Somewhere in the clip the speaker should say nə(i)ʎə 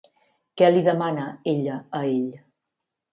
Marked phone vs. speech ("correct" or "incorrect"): incorrect